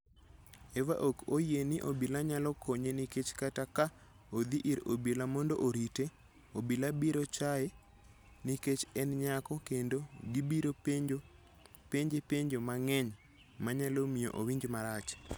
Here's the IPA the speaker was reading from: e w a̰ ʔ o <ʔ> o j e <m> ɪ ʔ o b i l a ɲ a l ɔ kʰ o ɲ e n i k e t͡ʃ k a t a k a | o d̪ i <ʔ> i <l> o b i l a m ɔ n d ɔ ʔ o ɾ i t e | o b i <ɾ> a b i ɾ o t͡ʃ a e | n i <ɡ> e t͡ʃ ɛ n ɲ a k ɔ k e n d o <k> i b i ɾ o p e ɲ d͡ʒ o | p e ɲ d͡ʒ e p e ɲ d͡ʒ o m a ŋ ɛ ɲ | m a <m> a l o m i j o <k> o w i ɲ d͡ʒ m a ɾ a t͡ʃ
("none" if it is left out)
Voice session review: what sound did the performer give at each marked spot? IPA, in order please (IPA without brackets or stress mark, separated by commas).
k, n, ʔ, ɾ, l, k, ɡ, ɲ, ʔ